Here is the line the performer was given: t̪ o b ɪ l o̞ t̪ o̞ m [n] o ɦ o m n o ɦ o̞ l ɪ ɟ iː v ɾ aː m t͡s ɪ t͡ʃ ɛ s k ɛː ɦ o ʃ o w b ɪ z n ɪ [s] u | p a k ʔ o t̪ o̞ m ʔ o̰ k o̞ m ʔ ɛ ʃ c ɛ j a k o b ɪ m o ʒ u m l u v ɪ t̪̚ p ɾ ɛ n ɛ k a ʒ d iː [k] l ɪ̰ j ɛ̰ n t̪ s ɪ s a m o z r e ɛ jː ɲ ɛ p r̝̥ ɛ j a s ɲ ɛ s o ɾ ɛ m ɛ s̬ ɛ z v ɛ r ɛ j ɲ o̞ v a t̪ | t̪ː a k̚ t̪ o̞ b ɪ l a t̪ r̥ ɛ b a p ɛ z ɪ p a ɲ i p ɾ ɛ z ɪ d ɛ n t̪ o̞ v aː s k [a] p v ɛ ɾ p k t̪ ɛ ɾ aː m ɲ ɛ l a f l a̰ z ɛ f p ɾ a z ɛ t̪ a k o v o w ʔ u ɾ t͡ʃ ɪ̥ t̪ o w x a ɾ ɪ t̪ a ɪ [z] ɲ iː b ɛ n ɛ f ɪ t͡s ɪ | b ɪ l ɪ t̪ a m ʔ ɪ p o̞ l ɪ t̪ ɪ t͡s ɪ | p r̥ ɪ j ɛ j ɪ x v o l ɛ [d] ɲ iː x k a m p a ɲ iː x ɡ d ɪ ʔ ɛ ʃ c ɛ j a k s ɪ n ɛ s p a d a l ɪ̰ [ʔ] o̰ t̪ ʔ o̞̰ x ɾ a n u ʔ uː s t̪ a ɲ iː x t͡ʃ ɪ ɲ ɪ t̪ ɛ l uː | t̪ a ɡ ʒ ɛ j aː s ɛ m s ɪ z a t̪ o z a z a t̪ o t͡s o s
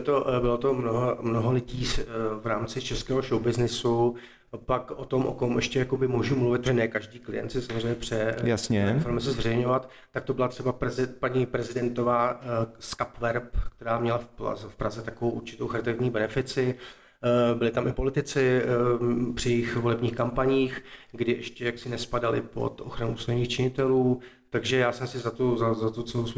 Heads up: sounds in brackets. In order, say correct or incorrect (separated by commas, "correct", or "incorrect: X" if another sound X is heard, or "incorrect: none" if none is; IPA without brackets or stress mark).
correct, correct, correct, correct, incorrect: v, incorrect: b, incorrect: p